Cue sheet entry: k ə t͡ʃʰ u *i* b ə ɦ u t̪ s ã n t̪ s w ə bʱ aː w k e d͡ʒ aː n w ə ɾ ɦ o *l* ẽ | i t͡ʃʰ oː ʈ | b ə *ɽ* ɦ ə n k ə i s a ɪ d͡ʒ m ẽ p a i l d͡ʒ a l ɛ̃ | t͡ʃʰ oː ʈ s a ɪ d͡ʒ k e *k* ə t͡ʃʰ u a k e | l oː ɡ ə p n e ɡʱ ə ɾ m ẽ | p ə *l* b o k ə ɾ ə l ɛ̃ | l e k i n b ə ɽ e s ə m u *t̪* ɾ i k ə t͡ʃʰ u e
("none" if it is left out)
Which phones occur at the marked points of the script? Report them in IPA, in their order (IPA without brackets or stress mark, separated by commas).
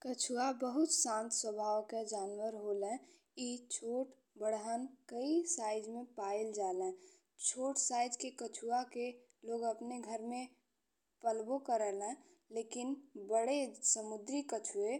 a, l, ɽ, k, l, d̪